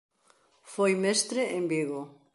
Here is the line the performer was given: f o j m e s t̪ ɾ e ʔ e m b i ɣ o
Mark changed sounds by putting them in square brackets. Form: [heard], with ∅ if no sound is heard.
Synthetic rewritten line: f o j m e s t̪ ɾ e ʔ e m b i ɣ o